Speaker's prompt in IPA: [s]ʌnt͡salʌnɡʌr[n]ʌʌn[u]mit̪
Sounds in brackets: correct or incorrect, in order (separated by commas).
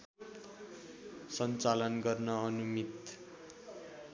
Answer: correct, correct, correct